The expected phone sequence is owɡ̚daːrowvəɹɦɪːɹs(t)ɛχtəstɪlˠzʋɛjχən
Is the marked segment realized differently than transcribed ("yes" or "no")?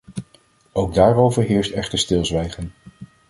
no